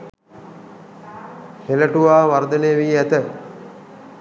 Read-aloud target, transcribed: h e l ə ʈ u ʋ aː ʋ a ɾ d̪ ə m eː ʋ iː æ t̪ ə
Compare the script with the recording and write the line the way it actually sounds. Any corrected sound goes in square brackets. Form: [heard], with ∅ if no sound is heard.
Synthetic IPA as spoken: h e l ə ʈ u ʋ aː ʋ a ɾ d̪ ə [n] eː ʋ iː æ t̪ ə